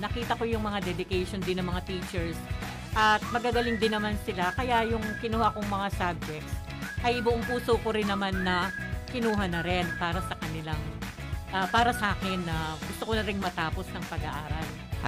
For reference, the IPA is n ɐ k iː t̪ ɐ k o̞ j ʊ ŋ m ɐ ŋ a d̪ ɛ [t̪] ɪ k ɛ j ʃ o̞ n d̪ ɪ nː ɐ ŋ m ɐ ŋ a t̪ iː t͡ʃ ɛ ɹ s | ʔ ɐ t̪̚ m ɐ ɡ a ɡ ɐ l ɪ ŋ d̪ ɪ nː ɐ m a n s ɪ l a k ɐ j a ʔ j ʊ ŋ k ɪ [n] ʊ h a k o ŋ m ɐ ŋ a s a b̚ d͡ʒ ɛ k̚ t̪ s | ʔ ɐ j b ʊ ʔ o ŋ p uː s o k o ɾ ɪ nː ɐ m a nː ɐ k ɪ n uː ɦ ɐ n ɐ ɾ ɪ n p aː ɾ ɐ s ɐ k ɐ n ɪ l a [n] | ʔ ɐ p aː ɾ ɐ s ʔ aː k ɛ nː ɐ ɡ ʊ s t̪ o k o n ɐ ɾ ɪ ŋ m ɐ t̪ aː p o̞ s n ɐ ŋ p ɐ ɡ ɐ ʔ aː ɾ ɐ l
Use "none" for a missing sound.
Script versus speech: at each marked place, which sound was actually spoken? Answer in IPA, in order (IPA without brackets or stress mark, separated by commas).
d̪, n, ŋ